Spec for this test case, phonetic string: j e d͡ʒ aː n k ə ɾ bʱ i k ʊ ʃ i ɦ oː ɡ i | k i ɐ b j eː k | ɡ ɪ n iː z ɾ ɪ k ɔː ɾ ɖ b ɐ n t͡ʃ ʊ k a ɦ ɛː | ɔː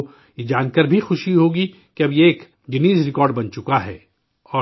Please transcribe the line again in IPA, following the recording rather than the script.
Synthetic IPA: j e d͡ʒ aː n k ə ɾ bʱ i x ʊ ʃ i ɦ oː ɡ i | k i ɐ b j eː k | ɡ ɪ n iː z ɾ ɪ k ɔː ɾ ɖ b ɐ n t͡ʃ ʊ k a ɦ ɛː | ɔː